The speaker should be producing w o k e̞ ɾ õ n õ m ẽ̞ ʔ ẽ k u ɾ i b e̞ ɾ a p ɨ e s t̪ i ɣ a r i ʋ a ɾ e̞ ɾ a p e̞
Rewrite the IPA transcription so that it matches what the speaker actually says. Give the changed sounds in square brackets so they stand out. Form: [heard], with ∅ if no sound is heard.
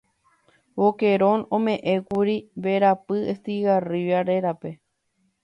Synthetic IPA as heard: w o k e̞ ɾ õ n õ m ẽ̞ ʔ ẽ k u ɾ i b e̞ ɾ a p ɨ e s t̪ i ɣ a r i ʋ a ɾ e̞ ɾ a p e̞